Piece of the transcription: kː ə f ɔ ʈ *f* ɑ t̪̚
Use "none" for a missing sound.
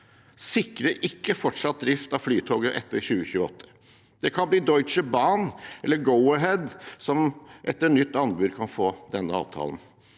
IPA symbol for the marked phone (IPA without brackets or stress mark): ʂ